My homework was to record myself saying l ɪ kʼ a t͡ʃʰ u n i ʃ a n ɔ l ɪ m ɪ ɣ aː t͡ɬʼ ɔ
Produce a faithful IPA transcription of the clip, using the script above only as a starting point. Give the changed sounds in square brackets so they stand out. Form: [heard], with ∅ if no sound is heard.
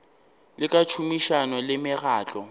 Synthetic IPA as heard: l ɪ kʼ a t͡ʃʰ u [m] i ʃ a n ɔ l ɪ m ɪ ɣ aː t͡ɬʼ ɔ